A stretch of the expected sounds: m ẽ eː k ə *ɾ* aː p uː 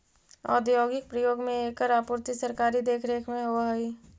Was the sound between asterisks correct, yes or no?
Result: yes